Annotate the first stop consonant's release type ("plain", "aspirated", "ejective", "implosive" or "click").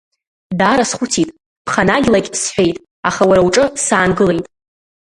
plain